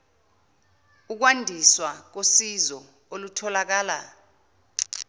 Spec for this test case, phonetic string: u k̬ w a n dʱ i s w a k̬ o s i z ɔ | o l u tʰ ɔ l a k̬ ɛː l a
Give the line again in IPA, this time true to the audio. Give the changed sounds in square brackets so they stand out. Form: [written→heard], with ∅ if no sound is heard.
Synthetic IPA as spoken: u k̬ w a n dʱ i s w a k̬ o s i z ɔ | o l u tʰ ɔ l a k̬ [ɛː→aː] l a